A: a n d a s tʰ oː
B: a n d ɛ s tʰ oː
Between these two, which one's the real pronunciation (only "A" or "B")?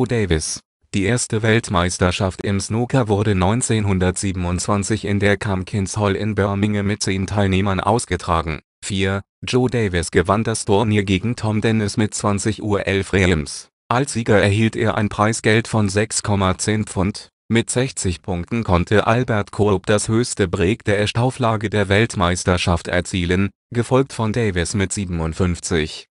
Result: A